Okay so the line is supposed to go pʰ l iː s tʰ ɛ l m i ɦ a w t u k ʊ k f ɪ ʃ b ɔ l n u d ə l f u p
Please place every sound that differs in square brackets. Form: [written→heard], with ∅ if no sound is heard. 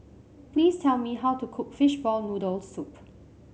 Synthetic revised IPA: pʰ l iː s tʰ ɛ l m i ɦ a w t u [k→kʰ] ʊ k f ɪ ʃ b ɔ l n u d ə l [f→s] u p